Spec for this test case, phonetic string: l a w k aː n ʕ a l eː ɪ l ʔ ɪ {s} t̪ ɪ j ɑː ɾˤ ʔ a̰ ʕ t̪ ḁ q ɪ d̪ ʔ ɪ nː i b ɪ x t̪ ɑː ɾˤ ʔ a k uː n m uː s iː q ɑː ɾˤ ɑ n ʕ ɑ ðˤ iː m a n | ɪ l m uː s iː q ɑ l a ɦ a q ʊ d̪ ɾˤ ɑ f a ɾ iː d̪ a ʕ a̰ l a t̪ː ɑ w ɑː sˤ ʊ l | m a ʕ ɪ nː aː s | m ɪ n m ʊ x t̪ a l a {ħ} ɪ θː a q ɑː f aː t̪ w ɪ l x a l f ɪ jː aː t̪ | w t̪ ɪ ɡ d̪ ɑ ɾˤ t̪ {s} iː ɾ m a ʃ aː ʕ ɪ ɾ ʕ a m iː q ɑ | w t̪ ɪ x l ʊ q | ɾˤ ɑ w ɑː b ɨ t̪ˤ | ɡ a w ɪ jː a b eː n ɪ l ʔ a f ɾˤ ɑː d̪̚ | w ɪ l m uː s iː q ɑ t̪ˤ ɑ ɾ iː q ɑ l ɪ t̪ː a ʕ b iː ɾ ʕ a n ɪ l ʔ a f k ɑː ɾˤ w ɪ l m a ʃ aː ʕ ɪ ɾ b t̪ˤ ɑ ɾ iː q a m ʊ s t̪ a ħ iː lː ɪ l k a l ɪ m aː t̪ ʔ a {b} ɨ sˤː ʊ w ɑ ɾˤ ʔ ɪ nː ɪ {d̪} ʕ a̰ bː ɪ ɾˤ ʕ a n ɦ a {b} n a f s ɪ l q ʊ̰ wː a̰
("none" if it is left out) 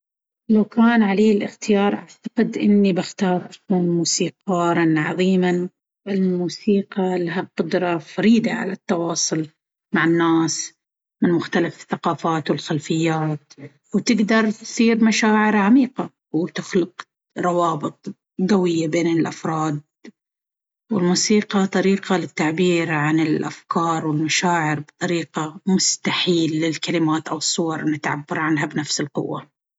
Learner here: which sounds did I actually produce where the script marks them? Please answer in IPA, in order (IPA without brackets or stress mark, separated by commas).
x, f, s, w, t̪, b